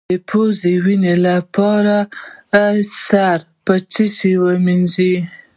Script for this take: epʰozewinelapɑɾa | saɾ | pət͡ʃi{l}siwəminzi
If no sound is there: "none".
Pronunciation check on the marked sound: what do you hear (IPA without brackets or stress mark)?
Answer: none